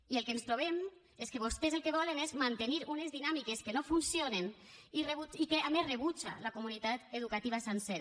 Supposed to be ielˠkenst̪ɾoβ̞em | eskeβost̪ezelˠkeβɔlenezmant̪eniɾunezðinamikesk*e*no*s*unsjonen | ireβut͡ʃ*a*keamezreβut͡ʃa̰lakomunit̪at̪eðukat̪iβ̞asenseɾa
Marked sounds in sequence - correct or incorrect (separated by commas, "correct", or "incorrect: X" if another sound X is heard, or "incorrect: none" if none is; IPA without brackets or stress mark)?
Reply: correct, incorrect: f, incorrect: i